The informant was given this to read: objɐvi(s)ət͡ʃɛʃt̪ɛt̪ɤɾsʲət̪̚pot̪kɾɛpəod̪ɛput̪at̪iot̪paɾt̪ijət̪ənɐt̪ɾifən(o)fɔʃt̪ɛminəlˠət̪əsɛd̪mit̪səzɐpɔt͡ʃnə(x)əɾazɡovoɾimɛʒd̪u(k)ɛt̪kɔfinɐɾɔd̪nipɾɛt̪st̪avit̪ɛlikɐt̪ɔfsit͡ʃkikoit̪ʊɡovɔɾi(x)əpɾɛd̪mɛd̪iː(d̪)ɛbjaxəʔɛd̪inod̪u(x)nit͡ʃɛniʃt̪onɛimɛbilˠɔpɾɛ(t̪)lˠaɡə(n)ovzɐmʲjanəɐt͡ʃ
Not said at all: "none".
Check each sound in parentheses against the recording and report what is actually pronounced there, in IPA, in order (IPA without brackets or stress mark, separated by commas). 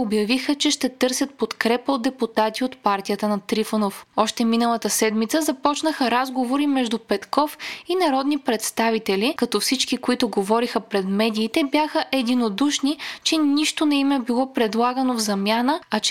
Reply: x, o, x, p, x, t̪, ʃ, d̪, n